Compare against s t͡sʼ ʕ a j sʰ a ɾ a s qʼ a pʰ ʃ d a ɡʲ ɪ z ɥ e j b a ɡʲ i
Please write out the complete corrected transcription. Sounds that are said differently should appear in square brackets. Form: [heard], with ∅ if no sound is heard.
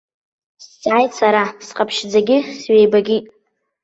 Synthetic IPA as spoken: s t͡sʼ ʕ a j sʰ a ɾ a s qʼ a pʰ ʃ [d͡z] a ɡʲ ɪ [s] ɥ e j b a ɡʲ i